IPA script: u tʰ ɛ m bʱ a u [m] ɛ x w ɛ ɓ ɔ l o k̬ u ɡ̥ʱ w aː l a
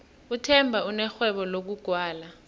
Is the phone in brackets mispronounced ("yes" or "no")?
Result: yes